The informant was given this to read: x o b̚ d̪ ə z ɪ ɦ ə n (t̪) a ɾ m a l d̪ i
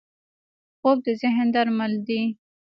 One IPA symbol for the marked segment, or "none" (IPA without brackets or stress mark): d̪